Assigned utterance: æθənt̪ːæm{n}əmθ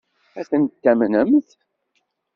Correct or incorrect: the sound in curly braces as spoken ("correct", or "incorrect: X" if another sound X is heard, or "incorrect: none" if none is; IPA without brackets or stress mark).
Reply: correct